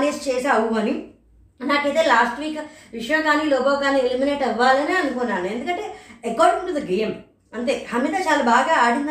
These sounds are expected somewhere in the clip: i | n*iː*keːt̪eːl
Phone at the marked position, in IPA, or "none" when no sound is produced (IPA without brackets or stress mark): aː